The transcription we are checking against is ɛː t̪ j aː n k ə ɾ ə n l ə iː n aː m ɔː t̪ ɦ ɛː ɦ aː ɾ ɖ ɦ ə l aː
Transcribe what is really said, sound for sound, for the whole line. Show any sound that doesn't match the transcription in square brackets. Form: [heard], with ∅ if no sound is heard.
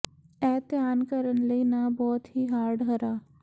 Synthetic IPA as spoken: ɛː t̪ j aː n k ə ɾ ə n l ə iː n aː [b] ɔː t̪ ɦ [iː] ɦ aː ɾ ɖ ɦ ə [ɾ] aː